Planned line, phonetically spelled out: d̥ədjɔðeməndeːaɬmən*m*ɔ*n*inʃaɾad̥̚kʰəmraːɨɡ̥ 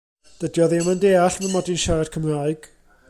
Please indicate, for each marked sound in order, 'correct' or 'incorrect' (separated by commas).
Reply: correct, incorrect